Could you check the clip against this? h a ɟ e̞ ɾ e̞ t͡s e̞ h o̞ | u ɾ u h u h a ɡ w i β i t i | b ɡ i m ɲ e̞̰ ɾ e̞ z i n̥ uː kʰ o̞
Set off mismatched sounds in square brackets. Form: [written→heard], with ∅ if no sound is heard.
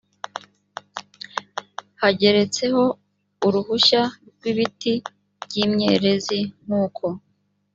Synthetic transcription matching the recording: h a ɟ e̞ ɾ e̞ t͡s e̞ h o̞ | u ɾ u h u [h→ʃ] a ɡ w i β i t i | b [ɡ→ɟ] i m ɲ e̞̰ ɾ e̞ z i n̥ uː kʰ o̞